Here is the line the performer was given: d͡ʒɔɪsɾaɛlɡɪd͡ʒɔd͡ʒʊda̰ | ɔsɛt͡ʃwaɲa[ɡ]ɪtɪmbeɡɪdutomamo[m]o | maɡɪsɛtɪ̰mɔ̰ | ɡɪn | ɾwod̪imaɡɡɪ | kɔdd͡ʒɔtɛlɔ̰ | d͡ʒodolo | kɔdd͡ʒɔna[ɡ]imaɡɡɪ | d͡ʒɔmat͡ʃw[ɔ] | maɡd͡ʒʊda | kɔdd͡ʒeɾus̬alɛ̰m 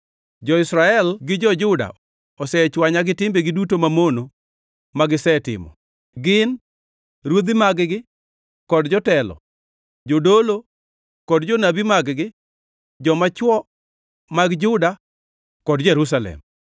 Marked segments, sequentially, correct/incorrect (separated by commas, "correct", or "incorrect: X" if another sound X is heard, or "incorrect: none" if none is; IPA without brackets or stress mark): correct, incorrect: n, incorrect: b, correct